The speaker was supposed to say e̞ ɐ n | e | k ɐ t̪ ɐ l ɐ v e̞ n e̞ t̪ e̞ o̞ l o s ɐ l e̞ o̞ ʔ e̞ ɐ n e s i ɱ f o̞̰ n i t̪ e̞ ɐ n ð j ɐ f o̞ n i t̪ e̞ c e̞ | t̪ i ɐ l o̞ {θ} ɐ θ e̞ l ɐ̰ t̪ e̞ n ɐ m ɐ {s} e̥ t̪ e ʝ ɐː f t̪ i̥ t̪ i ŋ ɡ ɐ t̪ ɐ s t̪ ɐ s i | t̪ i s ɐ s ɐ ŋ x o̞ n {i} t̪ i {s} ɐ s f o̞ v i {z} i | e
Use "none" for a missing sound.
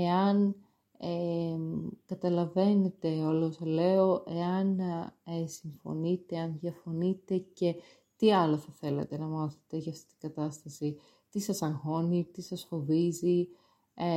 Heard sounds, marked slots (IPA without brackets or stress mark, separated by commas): θ, θ, i, s, z